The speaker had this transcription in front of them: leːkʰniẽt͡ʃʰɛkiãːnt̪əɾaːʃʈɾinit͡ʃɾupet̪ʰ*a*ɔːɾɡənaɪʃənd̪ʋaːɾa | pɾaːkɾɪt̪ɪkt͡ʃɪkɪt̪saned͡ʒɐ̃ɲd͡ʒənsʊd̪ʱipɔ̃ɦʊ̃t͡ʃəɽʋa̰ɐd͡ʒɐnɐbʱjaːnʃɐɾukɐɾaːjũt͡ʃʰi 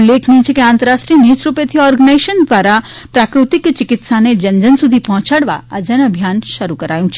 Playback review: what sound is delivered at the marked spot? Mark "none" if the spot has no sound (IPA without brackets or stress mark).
i